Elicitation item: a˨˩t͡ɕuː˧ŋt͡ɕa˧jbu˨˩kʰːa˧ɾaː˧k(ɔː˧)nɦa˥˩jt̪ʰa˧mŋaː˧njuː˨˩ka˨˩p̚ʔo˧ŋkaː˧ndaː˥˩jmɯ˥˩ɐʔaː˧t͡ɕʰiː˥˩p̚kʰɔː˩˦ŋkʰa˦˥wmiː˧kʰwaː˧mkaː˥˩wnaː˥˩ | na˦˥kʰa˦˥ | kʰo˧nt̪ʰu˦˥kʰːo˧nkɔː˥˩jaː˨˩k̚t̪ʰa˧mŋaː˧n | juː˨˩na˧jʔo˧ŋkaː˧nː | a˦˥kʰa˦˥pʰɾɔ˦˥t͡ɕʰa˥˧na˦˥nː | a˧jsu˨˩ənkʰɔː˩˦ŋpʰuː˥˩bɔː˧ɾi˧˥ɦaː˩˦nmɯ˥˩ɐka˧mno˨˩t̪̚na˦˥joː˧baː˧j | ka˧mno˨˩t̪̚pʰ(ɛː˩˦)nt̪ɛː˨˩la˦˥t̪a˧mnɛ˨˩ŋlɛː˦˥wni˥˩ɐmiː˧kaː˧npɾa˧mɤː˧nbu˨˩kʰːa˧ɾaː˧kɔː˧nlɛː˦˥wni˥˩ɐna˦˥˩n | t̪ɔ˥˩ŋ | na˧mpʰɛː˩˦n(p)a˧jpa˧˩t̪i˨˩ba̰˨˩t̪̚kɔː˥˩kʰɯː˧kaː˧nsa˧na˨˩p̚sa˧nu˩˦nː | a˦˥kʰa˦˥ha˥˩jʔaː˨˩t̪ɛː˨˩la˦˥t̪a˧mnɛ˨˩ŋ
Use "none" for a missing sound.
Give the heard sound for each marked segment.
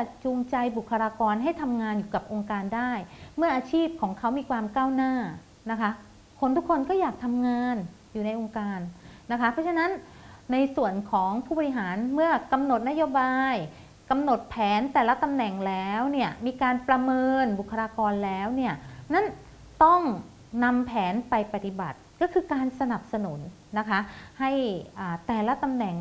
ɔː˧, ɛː˩˦, p

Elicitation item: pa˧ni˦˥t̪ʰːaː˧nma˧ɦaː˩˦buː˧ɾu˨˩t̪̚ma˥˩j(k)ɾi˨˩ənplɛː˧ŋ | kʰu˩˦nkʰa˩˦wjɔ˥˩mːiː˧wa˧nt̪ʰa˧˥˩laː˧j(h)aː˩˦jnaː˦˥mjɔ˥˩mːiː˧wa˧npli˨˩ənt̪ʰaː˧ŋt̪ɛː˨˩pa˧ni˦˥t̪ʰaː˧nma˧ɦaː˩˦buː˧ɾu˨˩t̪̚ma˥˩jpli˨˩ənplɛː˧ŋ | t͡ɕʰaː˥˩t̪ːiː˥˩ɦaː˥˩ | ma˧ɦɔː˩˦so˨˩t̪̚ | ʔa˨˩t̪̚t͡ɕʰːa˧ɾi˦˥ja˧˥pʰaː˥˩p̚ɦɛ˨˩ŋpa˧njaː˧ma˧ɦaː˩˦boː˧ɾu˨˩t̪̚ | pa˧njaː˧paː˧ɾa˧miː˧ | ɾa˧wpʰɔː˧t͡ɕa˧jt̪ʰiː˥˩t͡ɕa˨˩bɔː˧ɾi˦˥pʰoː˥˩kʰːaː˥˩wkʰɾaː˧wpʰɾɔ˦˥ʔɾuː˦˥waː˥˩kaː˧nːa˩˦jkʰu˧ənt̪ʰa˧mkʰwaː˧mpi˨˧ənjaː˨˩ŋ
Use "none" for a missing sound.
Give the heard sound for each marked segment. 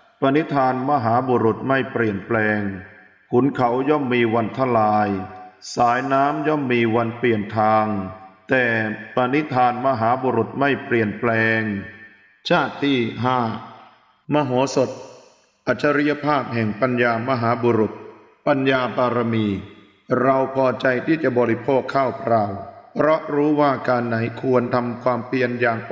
p, s

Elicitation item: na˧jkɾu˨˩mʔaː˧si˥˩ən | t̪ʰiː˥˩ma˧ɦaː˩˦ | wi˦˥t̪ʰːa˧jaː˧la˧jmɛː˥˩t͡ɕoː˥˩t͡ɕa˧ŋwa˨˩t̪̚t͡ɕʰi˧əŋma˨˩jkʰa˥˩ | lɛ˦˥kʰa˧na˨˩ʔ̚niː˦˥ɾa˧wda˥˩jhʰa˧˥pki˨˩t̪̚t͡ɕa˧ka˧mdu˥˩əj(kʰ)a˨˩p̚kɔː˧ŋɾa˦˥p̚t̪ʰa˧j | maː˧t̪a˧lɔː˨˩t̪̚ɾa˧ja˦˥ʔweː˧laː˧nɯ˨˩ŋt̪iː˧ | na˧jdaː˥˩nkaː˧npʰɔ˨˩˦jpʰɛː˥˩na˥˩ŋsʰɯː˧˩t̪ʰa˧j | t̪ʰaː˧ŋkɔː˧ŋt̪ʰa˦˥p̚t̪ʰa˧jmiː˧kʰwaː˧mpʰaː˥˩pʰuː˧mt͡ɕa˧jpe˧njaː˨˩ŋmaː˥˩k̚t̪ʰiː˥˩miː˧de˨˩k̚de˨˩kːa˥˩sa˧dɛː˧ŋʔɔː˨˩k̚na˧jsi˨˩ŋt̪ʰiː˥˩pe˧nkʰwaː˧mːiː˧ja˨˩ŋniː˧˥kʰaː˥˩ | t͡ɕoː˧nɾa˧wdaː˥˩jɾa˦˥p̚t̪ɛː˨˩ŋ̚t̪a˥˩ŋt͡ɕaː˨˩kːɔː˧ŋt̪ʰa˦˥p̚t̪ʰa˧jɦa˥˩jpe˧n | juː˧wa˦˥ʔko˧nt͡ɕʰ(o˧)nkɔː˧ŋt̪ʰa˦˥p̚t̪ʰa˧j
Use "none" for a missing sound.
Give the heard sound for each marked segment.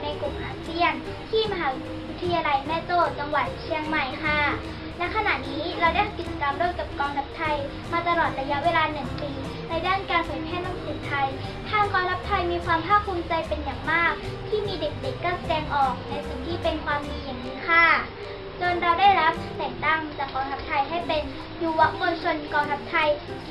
k, o˧

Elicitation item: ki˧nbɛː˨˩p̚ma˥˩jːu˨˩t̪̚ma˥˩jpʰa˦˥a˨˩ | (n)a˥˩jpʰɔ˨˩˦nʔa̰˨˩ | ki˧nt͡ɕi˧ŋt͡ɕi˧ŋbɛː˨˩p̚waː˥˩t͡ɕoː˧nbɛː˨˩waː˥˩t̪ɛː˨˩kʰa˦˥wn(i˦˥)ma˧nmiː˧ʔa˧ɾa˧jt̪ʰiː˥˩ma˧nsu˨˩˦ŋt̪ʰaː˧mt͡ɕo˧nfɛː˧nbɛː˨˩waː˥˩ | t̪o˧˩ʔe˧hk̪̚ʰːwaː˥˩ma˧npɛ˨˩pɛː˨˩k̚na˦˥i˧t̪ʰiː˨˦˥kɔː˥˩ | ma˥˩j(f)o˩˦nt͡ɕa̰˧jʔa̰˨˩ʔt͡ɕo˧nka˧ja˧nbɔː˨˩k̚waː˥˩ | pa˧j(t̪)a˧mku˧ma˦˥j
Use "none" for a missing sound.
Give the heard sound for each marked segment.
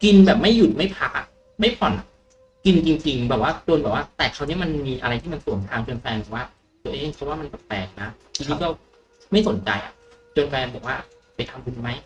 m, i˦˥, s, t̪ʰ

